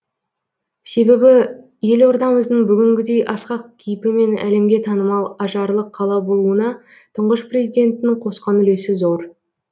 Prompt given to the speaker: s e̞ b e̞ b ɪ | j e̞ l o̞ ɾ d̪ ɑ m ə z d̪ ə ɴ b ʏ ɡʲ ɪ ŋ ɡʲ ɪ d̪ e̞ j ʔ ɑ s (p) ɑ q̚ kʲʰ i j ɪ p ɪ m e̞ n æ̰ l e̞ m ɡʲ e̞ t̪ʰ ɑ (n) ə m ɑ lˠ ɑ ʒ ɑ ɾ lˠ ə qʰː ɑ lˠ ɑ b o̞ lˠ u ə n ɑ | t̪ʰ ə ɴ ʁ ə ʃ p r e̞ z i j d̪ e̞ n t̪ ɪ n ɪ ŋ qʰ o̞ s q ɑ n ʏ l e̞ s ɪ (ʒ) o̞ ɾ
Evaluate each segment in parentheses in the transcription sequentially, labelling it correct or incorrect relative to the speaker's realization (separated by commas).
incorrect, correct, incorrect